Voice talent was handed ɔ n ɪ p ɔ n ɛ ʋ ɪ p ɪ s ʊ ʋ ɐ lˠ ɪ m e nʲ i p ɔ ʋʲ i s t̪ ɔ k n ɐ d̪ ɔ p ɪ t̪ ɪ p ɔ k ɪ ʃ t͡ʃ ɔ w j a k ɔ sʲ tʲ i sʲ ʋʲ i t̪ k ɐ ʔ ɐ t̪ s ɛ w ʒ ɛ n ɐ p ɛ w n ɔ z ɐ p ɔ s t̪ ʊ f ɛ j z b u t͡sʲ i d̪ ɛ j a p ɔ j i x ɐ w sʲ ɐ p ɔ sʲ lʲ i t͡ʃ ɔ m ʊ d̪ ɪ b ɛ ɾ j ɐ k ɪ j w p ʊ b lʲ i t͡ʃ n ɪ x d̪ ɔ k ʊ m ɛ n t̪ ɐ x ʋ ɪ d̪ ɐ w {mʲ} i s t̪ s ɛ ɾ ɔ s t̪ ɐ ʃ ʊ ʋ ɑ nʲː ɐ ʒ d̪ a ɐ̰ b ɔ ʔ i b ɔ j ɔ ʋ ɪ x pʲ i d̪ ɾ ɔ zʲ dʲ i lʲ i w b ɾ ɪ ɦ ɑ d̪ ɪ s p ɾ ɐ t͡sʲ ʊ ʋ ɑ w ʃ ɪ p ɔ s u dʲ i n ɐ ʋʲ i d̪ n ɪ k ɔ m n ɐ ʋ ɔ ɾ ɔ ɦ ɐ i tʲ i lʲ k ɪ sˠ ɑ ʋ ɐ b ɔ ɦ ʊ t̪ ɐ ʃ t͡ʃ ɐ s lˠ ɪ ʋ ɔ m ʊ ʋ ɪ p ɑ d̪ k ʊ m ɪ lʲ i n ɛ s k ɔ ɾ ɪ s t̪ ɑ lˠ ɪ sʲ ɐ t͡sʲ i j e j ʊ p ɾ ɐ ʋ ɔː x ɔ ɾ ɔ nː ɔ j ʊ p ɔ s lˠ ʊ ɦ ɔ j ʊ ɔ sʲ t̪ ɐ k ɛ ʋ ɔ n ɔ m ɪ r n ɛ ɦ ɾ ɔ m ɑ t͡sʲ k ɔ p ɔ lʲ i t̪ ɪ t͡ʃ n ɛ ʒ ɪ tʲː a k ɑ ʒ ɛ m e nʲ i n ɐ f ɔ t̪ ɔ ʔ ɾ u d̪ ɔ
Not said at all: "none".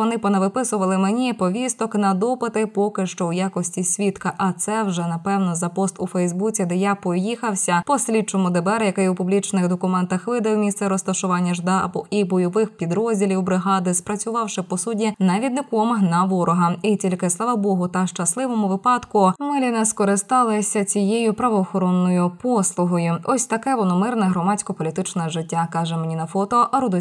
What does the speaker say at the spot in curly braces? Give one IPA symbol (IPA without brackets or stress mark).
mʲ